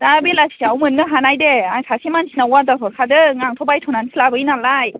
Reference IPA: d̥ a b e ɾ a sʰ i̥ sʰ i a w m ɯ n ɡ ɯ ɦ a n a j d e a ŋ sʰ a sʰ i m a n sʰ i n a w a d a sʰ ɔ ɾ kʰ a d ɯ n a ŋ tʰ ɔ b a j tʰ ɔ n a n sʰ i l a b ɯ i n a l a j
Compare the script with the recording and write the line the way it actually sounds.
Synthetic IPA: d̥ a b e l a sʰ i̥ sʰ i a w m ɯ n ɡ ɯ ɦ a n a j d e a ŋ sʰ a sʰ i m a n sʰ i n a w a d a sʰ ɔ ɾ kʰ a d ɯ ŋ a ŋ tʰ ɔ b a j tʰ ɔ n a n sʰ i l a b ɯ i n a l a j